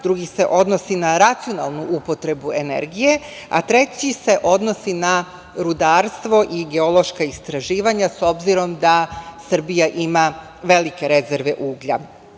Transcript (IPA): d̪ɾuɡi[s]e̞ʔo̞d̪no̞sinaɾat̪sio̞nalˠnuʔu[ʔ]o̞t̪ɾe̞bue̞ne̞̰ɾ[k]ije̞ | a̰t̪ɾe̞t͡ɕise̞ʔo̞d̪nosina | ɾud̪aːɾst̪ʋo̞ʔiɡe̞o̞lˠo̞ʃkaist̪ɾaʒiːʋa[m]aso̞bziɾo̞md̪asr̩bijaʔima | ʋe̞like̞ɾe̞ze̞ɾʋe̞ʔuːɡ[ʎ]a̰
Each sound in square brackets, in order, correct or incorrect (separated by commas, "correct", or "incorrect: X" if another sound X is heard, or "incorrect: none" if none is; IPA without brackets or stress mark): correct, incorrect: p, incorrect: ɡ, incorrect: ɲ, correct